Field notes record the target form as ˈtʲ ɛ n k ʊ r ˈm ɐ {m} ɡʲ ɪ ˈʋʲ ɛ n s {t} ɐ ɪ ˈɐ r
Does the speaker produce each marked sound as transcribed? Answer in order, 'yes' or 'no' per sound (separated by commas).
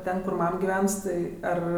yes, yes